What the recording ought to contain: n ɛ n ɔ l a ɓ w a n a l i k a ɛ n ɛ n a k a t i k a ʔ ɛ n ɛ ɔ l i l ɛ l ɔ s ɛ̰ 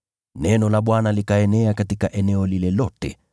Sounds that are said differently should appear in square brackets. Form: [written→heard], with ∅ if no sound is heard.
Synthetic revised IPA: n ɛ n ɔ l a ɓ w a n a l i k a ɛ n ɛ [n→∅] a k a t i k a ʔ ɛ n ɛ ɔ l i l ɛ l ɔ [s→t] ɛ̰